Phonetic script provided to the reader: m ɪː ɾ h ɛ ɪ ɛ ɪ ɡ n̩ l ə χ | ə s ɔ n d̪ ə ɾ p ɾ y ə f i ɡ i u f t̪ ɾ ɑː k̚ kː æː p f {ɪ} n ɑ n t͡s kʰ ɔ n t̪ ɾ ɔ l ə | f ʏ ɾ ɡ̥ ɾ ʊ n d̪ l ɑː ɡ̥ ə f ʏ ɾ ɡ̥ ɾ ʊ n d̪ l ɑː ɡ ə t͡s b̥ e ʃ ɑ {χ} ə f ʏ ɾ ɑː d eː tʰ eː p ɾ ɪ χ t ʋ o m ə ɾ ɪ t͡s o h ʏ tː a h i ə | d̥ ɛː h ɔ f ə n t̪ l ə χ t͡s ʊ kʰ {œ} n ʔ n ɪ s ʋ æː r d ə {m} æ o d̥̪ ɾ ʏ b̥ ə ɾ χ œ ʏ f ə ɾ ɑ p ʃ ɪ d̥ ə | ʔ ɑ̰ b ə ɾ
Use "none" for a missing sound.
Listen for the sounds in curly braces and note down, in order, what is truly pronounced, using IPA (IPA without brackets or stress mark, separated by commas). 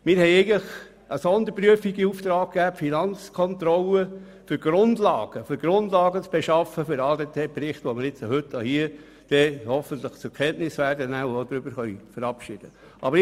i, f, ɛ, n